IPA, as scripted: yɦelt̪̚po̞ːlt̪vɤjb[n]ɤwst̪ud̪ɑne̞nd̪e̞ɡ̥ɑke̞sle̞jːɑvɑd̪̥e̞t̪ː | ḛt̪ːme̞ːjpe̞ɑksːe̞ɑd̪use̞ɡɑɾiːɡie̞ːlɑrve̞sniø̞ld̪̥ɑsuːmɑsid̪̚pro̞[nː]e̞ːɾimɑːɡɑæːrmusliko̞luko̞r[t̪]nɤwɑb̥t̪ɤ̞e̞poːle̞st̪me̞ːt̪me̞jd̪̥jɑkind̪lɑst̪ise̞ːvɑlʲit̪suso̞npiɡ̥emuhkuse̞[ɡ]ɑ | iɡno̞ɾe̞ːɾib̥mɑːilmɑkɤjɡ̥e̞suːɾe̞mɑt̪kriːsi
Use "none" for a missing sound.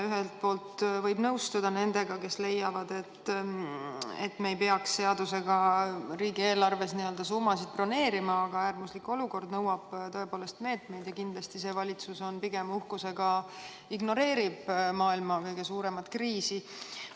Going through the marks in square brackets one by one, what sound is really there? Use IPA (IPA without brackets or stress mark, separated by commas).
n, n, d̪, ɡ